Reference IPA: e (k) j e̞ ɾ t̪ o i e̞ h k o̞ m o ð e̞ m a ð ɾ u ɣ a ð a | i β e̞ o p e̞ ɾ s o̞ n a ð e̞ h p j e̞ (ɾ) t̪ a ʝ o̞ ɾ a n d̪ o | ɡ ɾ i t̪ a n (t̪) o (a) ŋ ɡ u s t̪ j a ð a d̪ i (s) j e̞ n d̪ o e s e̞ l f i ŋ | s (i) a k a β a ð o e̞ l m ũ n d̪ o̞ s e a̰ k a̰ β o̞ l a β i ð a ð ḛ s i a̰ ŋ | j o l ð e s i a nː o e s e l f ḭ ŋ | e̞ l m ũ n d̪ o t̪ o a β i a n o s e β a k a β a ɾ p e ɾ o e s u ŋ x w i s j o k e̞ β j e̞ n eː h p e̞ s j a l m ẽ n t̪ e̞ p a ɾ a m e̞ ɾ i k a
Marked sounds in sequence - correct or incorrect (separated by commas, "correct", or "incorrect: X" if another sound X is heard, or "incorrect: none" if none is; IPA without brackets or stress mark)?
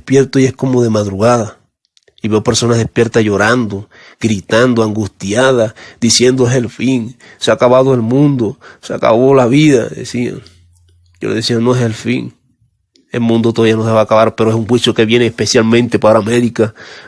incorrect: p, correct, incorrect: d̪, correct, correct, incorrect: e